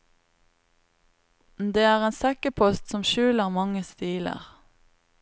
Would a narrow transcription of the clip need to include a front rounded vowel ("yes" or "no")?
no